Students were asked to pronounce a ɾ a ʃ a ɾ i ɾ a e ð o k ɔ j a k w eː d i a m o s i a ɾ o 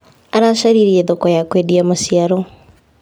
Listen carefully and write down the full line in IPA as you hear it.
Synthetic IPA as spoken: a ɾ a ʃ a ɾ i ɾ i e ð o k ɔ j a k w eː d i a m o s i a ɾ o

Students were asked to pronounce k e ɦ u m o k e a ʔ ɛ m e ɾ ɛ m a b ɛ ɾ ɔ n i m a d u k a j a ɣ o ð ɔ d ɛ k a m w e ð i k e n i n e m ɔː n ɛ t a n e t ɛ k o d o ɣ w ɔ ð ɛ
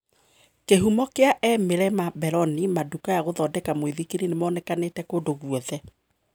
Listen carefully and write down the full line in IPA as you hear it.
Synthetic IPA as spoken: k e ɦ u m ɔ k e a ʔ ɛ m e ɾ ɛ m a b ɛ ɾ ɔ n i m a d u k a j a ɣ o ð ɔ d ɛ k a m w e ð i k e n i n e m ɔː n ɛ k a n e t ɛ k o d o ɣ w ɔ ð ɛ

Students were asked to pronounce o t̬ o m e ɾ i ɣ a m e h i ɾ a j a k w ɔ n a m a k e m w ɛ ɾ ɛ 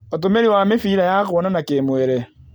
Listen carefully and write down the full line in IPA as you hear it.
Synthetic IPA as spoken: o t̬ o m e ɾ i w a m e f i ɾ a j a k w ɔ n a n a k e m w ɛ ɾ ɛ

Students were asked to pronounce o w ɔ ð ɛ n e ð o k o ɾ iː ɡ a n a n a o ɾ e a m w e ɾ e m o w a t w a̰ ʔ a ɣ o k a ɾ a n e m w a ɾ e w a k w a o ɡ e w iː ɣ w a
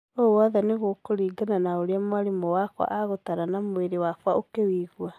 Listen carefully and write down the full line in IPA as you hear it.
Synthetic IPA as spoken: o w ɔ ð ɛ n e ɣ o k o ɾ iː ɡ a n a n a o ɾ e a m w a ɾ e m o w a k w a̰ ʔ a ɣ o t a ɾ a n a m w e ɾ e w a k w a o k e w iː ɣ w a

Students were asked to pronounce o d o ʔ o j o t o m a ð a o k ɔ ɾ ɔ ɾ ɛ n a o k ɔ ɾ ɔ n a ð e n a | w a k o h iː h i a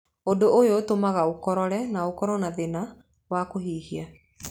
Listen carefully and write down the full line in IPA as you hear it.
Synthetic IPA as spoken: o d o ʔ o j o t o m a ɣ a o k ɔ ɾ ɔ ɾ ɛ n a o k ɔ ɾ ɔ n a ð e n a | w a k o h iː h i a

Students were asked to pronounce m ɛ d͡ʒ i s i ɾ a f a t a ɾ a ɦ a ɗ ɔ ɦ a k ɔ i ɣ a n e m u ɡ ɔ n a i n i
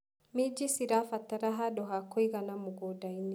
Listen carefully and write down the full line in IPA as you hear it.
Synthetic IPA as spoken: m i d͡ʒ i s i ɾ a f a t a ɾ a ɦ a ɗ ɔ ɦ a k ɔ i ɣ a n a m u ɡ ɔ d a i n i

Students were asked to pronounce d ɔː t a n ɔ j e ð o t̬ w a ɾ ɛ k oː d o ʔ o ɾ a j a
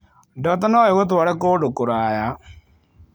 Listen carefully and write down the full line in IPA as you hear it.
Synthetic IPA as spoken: d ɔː t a n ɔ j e ɣ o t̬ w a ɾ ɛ k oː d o k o ɾ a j a

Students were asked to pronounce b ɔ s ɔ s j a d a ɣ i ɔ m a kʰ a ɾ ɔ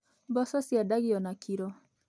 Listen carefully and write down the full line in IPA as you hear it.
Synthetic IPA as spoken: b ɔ s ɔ s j a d a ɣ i ɔ n a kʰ i ɾ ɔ

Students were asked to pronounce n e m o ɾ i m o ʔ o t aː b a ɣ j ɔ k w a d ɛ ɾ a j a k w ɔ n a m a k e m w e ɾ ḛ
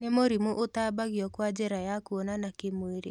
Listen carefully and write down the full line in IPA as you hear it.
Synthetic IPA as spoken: n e m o ɾ i m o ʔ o t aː b a ɣ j ɔ k w a d͡ʒ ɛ ɾ a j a k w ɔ n a n a k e m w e ɾ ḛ

